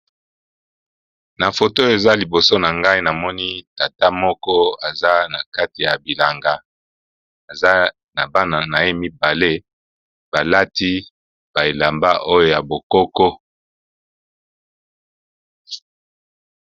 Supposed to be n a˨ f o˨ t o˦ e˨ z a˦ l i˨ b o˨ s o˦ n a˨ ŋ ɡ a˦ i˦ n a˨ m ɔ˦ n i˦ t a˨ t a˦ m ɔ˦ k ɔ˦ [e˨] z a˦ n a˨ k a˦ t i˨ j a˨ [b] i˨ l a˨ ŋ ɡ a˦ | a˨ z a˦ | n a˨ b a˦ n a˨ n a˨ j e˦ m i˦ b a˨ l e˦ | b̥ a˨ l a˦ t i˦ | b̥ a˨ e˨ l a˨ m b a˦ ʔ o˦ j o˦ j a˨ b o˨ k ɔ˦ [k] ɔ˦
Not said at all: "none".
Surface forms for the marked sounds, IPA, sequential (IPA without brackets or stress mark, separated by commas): a˨, b, k